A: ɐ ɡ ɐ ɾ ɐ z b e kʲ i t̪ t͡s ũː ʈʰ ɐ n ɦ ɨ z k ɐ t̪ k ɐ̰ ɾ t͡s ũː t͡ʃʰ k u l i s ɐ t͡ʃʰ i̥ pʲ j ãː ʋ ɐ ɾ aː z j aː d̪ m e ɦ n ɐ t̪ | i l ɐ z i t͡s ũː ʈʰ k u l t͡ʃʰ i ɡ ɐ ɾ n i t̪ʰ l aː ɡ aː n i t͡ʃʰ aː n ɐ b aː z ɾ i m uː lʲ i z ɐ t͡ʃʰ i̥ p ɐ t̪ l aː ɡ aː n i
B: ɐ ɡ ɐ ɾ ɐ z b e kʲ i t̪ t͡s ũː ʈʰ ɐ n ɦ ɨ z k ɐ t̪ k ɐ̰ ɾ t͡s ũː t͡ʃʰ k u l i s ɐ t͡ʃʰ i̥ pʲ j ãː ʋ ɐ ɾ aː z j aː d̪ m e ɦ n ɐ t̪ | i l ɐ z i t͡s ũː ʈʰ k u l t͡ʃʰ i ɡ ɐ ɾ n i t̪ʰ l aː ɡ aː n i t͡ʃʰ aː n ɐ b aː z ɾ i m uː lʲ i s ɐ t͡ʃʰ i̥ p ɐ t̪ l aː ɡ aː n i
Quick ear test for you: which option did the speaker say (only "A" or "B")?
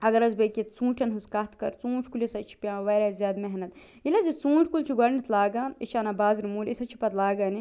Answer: B